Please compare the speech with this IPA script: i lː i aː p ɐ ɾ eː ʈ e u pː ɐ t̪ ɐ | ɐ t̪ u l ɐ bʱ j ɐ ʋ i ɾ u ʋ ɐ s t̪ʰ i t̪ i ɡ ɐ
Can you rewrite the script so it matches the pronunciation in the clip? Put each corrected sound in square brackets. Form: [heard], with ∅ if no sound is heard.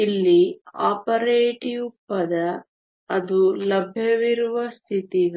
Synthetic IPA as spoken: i lː i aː p ɐ ɾ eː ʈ [i] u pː ɐ [d̪] ɐ | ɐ [d̪] u l ɐ bʱ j ɐ ʋ i ɾ u ʋ ɐ s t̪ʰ i t̪ i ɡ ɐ